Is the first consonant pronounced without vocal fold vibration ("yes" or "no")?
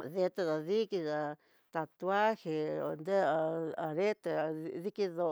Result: no